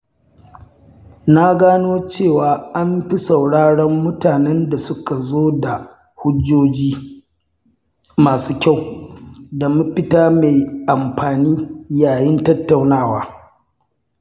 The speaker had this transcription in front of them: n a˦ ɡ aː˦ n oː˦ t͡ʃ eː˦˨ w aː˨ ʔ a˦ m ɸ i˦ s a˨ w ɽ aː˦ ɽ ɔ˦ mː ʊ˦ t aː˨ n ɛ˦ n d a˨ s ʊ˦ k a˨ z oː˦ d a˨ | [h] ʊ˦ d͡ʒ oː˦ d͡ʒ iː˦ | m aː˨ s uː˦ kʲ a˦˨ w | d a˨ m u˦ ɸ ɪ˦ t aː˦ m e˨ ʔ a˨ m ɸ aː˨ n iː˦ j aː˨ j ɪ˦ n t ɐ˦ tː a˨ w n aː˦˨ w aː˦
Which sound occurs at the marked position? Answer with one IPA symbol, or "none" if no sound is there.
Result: h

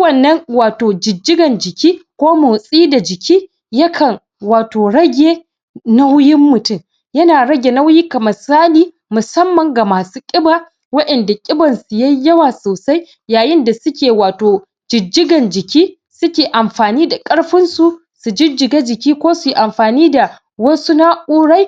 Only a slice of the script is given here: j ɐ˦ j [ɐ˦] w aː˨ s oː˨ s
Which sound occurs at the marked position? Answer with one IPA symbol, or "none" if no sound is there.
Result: ɐ˦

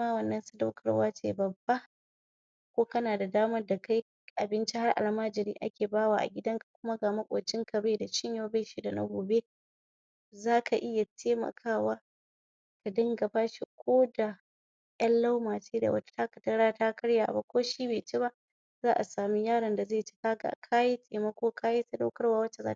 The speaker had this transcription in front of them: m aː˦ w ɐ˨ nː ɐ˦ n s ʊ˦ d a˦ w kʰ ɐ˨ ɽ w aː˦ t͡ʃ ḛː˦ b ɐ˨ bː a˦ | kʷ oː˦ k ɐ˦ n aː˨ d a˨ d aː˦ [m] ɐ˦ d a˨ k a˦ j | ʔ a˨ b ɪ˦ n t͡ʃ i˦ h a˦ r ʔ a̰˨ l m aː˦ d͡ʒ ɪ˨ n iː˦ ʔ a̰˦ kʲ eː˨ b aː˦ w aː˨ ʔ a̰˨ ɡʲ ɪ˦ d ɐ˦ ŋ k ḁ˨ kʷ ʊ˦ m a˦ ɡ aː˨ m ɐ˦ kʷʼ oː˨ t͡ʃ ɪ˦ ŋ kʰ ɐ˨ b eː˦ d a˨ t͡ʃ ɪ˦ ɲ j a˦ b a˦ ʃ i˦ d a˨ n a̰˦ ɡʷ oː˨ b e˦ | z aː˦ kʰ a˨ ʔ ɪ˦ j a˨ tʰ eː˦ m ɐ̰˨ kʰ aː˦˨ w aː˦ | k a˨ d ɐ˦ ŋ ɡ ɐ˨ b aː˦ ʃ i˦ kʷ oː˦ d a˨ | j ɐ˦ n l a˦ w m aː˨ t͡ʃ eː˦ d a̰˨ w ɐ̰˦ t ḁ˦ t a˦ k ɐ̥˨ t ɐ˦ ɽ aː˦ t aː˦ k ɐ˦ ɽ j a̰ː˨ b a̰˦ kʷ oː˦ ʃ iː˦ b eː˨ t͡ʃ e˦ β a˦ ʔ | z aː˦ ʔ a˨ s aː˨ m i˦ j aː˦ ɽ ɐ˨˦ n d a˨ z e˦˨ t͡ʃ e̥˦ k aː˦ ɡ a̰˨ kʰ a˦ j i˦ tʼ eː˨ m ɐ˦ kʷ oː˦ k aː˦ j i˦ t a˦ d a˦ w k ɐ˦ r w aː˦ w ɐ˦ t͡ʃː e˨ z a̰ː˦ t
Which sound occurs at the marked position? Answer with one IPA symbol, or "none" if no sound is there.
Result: m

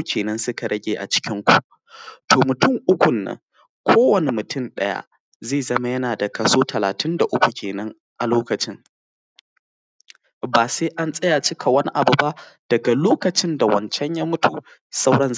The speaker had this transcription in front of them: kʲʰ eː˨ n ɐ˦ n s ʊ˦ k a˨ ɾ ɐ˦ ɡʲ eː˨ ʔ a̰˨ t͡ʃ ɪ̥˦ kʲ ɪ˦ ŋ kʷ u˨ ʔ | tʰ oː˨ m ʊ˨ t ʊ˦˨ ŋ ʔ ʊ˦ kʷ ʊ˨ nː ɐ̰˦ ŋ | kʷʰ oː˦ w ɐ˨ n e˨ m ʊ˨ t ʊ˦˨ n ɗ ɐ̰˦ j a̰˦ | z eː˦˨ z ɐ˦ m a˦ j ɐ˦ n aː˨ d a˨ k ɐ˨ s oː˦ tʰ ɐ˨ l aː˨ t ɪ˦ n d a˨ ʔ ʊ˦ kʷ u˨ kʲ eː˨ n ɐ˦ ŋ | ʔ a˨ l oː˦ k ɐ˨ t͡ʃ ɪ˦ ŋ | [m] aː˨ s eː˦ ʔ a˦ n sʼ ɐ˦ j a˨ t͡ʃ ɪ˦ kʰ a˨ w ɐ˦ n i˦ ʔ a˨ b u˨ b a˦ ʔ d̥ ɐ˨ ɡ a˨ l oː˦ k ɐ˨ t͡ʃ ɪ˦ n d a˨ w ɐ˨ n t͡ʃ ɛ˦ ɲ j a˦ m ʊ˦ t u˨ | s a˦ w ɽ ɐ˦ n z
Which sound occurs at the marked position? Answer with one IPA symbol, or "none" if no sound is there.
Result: b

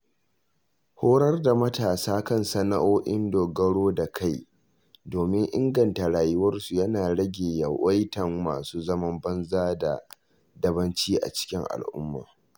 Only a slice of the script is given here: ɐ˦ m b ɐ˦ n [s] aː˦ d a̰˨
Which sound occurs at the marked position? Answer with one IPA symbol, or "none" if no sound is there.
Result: z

